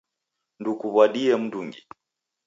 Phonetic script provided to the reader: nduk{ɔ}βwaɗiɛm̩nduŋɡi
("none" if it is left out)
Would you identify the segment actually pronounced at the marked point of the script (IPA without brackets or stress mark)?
u